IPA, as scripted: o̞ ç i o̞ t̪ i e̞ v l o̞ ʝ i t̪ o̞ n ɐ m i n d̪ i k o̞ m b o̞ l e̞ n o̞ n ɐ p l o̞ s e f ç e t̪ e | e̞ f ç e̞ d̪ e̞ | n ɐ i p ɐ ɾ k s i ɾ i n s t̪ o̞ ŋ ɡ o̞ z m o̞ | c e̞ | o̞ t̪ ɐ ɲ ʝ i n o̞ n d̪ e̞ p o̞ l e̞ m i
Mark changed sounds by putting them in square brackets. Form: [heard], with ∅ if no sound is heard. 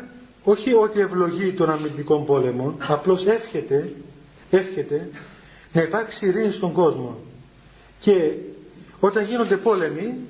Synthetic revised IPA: o̞ ç i o̞ t̪ i e̞ v l o̞ ʝ i t̪ o̞ n ɐ m i n d̪ i k o̞ m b o̞ l e̞ [m] o̞ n ɐ p l o̞ s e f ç e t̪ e | e̞ f ç e̞ [t̪] e̞ | n ɐ i p ɐ ɾ k s i ɾ i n s t̪ o̞ ŋ ɡ o̞ z m o̞ | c e̞ | o̞ t̪ ɐ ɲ ʝ i n o̞ n d̪ e̞ p o̞ l e̞ m i